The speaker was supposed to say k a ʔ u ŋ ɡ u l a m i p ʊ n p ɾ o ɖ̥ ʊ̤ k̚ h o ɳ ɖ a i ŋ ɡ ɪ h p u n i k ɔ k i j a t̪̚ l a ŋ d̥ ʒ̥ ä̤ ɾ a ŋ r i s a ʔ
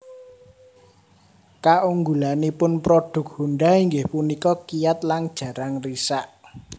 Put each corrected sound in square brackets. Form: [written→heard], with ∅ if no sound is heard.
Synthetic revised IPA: k a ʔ u ŋ ɡ u l a [m→n] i p ʊ n p ɾ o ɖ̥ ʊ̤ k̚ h [o→u] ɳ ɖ a i ŋ ɡ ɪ h p u n i k ɔ k i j a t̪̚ l a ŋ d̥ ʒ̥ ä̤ ɾ a ŋ r i s a ʔ